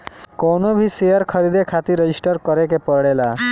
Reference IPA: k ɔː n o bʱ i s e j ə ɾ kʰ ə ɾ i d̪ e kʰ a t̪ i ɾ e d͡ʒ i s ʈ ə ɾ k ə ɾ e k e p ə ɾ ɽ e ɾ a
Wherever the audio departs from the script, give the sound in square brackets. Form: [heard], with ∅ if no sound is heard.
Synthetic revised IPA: k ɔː n o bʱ i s e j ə ɾ kʰ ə ɾ i d̪ e kʰ a t̪ i ɾ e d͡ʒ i s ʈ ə ɾ k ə ɾ e k e p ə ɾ ɽ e [l] a